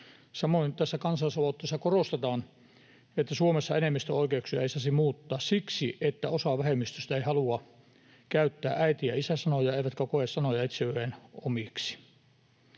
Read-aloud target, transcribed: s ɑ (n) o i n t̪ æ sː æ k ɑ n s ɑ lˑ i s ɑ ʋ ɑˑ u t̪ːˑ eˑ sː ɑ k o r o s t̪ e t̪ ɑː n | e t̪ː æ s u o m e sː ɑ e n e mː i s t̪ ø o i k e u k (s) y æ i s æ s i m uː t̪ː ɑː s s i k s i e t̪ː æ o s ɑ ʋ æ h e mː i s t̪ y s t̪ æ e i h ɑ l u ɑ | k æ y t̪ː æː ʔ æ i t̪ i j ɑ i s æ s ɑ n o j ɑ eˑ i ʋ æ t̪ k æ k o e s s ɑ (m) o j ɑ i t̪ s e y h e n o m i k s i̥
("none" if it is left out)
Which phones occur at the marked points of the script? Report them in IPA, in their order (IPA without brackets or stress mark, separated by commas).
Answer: m, s, n